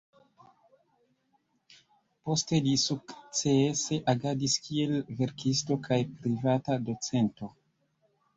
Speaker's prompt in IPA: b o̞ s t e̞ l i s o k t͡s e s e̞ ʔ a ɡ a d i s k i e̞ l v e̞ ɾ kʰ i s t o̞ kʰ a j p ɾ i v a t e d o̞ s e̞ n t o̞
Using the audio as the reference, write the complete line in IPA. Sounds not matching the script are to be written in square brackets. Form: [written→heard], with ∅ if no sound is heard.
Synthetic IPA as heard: [b→p] o̞ s t e̞ l i s [o→u] k t͡s e s e̞ ʔ a ɡ a d i s k i e̞ l v e̞ ɾ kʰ i s t o̞ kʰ a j p ɾ i v a t [e→a] d o̞ [s→t͡s] e̞ n t o̞